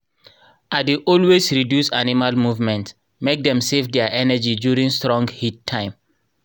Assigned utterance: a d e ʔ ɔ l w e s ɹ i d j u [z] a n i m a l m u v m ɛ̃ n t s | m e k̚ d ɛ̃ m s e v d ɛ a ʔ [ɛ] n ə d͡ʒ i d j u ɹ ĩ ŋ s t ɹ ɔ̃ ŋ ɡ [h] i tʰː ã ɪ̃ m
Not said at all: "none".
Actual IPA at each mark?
s, ɛ, h

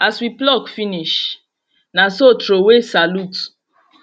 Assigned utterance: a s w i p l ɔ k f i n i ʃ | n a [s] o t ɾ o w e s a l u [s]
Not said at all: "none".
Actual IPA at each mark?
s, t

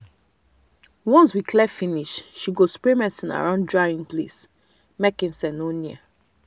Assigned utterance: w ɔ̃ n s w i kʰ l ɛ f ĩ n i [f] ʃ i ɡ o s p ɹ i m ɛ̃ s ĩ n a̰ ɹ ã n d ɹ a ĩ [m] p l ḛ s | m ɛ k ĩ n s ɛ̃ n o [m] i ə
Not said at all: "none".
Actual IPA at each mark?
ʃ, ŋ, n

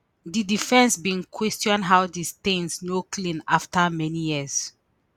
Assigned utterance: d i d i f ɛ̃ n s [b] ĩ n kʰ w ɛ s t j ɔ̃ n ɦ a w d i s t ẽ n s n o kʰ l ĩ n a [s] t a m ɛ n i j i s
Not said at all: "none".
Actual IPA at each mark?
b, f

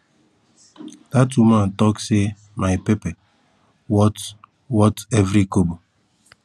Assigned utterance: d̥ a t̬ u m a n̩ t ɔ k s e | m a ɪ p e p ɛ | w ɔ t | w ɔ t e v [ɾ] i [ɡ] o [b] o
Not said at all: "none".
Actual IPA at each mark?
ɾ, k, b

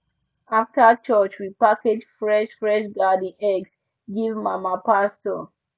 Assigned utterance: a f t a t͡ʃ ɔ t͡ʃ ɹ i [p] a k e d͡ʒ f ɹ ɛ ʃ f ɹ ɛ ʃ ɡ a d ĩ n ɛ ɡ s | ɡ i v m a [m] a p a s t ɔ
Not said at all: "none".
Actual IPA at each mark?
p, m

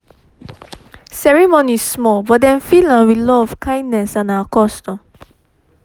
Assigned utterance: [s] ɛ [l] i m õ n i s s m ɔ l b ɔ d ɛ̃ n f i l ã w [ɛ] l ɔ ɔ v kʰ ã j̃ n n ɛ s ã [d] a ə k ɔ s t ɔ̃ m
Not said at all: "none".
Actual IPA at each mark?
s, ɹ, i, n

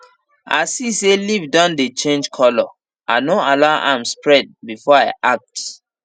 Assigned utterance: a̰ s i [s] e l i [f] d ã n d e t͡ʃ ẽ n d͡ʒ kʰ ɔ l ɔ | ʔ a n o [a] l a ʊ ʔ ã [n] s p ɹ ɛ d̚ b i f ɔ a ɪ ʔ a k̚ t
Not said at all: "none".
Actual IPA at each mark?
s, v, a, m

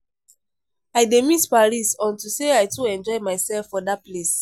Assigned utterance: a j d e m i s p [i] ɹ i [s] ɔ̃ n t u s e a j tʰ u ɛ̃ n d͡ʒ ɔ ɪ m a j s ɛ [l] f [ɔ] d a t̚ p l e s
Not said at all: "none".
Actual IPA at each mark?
a, s, l, ɔ

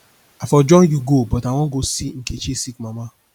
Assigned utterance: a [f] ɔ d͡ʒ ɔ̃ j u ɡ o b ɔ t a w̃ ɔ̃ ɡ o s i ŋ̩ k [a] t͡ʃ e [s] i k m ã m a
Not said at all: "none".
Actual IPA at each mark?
f, e, s

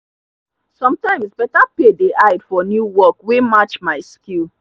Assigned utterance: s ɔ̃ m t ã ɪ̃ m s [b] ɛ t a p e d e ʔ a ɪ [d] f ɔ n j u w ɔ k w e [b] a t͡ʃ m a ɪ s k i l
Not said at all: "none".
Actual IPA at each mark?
b, d, m

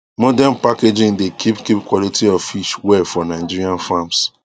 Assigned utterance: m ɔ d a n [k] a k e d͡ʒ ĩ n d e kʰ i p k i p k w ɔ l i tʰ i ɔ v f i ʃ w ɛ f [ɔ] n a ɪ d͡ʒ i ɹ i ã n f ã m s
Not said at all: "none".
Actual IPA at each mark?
p, ɔ

